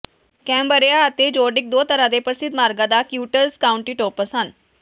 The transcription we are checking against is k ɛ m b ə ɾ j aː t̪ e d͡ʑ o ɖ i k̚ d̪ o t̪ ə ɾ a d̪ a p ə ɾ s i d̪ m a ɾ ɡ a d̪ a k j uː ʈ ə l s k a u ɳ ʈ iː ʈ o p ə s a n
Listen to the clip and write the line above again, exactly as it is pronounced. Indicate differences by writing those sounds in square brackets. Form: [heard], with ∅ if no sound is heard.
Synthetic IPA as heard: k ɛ m b ə ɾ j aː t̪ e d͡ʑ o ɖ i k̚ d̪ o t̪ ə ɾ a d̪ [e] p ə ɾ s i d̪ m a ɾ ɡ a d̪ a k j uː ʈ ə l s k a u ɳ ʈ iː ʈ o p ə s a n